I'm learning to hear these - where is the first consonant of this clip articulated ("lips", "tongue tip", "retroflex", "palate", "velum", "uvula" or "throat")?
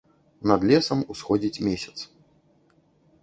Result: tongue tip